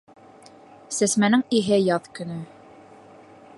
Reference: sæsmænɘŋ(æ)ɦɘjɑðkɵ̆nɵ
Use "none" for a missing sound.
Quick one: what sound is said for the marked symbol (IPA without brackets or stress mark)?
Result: i